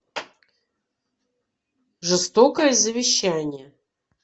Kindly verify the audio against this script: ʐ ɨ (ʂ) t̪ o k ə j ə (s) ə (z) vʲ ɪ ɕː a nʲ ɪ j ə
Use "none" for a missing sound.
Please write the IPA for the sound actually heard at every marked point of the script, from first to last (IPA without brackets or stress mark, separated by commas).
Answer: s, z, none